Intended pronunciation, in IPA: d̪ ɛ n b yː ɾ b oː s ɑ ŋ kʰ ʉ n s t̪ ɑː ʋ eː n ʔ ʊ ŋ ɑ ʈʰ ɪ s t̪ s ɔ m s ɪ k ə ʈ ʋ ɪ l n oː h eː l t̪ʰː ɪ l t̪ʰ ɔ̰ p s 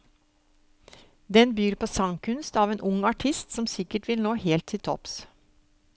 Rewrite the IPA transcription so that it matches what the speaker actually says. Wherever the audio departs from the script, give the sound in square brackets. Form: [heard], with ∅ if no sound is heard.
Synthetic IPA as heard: d̪ ɛ n b yː ɾ [p] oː s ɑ ŋ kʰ ʉ n s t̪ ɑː ʋ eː n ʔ ʊ ŋ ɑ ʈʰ ɪ s t̪ s ɔ m s ɪ k ə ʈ ʋ ɪ l n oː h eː l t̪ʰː ɪ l t̪ʰ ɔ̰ p s